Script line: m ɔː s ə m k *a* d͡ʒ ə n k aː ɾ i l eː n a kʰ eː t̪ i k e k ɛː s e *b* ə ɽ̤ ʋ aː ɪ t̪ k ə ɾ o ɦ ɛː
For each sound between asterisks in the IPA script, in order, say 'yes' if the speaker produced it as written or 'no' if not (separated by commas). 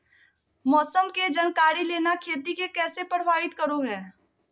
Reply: no, no